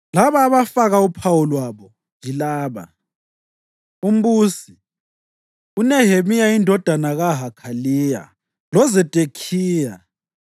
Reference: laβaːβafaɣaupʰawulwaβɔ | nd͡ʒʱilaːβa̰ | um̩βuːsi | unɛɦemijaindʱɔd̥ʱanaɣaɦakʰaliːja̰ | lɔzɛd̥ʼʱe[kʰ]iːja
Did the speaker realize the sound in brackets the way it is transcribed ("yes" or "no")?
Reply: yes